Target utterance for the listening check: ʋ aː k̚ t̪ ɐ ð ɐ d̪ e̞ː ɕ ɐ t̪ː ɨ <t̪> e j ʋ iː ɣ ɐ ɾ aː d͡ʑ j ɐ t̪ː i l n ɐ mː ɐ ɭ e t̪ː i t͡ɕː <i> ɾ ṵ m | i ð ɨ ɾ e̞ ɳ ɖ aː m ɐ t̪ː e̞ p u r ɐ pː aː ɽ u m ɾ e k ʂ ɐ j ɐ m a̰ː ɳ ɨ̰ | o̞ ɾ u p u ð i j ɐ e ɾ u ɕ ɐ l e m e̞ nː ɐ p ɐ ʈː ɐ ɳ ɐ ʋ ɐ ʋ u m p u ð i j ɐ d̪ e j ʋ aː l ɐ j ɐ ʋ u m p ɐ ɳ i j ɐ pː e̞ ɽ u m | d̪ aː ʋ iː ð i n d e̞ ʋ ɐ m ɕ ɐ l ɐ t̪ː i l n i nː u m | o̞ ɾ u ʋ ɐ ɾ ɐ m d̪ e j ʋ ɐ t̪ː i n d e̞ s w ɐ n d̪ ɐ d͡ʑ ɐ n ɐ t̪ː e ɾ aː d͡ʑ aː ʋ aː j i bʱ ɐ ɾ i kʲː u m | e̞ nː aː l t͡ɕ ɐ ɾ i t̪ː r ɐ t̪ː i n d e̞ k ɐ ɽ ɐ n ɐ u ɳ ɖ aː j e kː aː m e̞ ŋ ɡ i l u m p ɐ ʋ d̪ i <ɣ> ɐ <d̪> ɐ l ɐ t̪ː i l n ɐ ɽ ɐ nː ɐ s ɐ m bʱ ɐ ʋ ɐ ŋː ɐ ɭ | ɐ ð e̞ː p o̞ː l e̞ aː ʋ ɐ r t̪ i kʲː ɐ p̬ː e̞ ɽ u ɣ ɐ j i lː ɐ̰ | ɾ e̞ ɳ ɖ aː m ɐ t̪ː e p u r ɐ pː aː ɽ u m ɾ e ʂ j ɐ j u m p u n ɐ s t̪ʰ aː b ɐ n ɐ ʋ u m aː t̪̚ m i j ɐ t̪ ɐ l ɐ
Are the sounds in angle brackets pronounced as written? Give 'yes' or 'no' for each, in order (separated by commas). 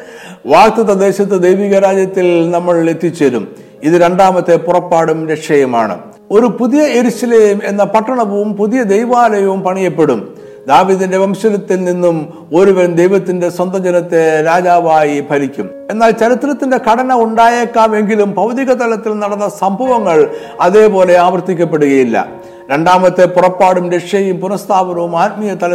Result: no, no, yes, no